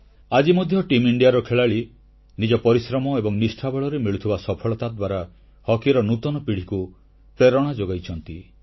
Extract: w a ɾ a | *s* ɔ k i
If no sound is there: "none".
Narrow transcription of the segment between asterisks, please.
h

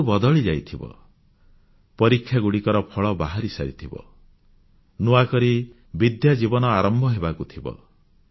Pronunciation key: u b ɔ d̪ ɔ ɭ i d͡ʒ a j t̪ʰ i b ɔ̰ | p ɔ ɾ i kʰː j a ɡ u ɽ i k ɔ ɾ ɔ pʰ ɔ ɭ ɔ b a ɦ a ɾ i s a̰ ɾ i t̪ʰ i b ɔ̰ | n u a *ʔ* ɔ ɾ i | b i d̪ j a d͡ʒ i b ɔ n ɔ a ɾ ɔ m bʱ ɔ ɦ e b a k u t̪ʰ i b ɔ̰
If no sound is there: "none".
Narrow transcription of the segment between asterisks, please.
k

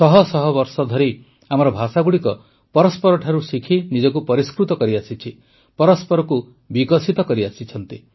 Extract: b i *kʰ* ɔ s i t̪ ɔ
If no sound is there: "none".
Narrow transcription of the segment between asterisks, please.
k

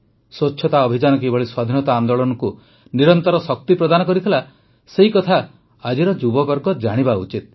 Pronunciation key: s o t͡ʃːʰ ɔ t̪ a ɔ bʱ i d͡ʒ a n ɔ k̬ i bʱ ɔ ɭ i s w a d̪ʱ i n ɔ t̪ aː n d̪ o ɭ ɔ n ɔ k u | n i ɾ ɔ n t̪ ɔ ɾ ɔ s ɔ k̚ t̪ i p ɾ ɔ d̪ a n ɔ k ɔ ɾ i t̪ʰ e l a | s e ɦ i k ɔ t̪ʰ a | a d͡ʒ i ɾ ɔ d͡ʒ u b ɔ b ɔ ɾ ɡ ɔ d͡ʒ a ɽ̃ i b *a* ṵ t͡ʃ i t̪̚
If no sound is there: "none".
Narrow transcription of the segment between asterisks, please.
a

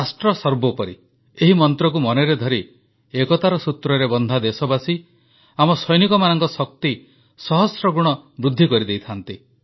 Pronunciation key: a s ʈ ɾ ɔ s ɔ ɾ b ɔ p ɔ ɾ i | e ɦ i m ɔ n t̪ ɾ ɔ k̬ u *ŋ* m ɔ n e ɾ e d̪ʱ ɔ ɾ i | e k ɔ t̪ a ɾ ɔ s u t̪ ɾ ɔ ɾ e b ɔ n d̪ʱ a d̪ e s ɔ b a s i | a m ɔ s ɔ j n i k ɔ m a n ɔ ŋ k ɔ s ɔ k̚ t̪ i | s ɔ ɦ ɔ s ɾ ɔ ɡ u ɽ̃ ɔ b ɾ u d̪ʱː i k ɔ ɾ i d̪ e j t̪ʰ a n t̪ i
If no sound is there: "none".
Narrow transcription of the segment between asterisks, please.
none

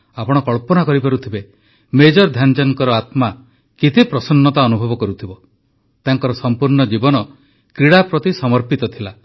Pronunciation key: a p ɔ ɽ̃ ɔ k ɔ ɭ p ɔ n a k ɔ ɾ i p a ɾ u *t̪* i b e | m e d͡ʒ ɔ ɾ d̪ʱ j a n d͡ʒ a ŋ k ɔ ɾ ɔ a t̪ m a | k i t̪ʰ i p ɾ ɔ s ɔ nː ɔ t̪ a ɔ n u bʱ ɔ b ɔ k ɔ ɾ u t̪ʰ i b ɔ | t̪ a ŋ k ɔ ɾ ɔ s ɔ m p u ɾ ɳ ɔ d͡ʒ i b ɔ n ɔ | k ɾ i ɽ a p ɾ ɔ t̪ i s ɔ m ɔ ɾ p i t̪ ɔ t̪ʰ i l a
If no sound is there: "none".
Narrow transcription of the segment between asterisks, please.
t̪ʰ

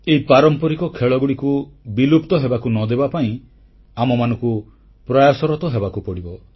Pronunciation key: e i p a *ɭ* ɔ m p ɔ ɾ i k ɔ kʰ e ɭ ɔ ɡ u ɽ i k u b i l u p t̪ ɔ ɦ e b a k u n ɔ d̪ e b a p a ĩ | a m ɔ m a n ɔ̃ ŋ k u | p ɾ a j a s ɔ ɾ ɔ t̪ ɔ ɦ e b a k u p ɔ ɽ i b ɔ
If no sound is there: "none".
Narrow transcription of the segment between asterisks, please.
ɾ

